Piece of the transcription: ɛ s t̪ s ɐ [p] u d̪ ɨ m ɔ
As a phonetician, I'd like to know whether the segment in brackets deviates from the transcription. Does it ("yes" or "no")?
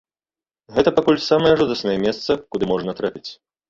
yes